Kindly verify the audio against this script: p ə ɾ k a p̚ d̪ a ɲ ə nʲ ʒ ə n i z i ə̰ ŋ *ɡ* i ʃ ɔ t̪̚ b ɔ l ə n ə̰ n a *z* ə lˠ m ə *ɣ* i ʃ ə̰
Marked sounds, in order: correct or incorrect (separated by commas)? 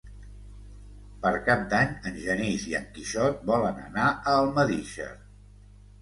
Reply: incorrect, incorrect, incorrect